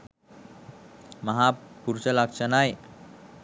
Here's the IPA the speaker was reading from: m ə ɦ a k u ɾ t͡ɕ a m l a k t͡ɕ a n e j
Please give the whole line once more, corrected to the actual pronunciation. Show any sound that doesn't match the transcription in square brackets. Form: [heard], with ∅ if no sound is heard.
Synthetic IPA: m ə ɦ a [p] u ɾ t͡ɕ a [∅] l a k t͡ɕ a n [a] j